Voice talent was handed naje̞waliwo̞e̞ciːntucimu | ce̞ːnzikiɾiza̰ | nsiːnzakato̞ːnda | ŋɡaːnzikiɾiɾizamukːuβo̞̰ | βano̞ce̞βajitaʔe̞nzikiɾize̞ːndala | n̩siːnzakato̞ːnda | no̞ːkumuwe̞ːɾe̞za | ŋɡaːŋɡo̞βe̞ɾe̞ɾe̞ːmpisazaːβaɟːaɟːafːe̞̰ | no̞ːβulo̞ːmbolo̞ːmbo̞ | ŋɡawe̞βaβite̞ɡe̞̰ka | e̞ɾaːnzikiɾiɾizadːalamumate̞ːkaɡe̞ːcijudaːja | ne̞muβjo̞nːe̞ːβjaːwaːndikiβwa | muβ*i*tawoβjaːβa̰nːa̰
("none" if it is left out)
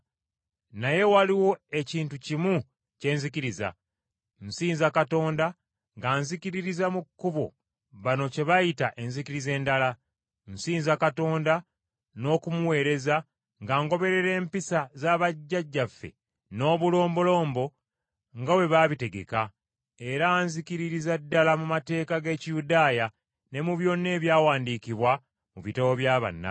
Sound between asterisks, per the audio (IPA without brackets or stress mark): i